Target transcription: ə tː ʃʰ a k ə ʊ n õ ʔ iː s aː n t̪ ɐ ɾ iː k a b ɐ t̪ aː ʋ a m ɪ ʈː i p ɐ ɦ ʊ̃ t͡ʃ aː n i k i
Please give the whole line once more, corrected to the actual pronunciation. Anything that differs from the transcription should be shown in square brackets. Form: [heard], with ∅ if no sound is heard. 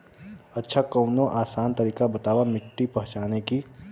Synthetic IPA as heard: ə tː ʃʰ a k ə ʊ n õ ʔ [aː] s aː n t̪ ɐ ɾ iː k a b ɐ t̪ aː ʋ a m ɪ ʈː i p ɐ ɦ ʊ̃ t͡ʃ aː n [e] k i